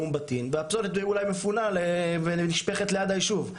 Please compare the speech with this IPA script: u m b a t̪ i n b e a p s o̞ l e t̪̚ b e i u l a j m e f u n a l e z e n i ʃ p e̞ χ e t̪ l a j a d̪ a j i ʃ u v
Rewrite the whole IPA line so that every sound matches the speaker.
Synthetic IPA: u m b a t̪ i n v e a p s o̞ l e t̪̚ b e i u l a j m e f u n a l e v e n i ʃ p e̞ χ e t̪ l e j a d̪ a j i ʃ u v